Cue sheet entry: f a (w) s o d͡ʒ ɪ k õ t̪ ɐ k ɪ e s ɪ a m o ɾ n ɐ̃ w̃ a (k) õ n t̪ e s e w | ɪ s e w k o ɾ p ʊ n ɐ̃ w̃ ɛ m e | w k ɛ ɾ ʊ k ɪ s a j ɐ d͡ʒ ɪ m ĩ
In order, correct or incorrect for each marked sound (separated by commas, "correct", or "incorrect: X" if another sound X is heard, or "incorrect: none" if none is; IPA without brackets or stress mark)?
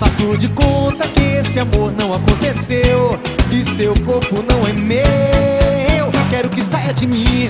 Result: incorrect: none, correct